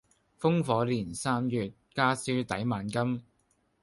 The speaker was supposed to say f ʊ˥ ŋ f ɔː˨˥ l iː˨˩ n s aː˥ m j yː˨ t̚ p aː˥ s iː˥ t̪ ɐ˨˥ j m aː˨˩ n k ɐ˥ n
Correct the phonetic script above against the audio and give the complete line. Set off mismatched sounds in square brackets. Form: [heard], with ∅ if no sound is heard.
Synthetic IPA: f ʊ˥ ŋ f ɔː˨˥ l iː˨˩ n s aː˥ m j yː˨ t̚ [k] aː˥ s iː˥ t̪ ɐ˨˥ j m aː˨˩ n k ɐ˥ [m]